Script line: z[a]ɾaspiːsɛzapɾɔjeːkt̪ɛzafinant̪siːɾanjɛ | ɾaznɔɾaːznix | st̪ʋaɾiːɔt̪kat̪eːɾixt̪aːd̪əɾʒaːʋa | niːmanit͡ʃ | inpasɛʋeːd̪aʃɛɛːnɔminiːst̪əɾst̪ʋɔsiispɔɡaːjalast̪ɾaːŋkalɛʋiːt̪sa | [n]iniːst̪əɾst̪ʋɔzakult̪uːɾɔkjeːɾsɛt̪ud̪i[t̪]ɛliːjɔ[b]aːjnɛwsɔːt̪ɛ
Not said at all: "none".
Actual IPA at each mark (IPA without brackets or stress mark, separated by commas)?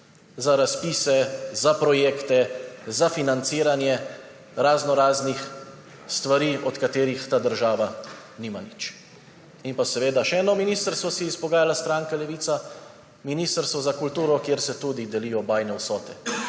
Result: a, m, d̪, b